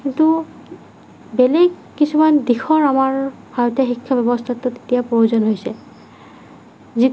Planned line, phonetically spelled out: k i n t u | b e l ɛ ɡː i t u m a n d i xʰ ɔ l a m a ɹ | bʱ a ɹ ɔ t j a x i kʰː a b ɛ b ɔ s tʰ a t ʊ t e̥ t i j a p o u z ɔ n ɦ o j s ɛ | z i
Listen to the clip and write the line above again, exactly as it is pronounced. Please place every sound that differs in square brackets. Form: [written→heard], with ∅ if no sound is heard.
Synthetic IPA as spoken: k i n t u | b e l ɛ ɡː i [t→s] u m a n d i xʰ ɔ [l→ɹ] a m a ɹ | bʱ a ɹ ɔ t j a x i kʰː a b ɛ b ɔ s tʰ a t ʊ t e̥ t i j a p o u z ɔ n ɦ o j s ɛ | z i